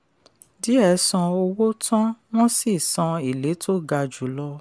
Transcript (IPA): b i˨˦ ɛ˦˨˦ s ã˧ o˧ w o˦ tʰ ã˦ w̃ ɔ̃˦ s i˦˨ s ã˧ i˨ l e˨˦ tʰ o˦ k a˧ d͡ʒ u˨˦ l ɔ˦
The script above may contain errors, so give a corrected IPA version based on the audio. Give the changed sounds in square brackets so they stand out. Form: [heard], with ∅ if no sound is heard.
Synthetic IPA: [d] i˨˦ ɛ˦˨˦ s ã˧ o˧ w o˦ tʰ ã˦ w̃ ɔ̃˦ s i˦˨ s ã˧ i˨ l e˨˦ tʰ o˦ [ɡ] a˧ d͡ʒ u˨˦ l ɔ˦